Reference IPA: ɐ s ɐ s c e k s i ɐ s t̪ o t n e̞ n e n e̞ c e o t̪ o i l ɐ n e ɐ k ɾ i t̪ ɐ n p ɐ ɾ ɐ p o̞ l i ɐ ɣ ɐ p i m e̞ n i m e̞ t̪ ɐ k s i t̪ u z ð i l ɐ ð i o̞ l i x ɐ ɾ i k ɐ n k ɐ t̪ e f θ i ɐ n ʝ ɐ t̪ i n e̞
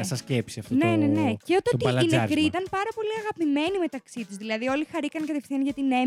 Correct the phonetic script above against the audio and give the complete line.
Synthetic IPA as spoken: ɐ s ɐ s c e p s i ɐ f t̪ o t n e̞ n e n e̞ c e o t̪ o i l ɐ n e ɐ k ɾ i t̪ ɐ n p ɐ ɾ ɐ p o̞ l i ɐ ɣ ɐ p i m e̞ n i m e̞ t̪ ɐ k s i t̪ u z ð i l ɐ ð i o̞ l i x ɐ ɾ i k ɐ n k ɐ t̪ e f θ i ɐ n ʝ ɐ t̪ i n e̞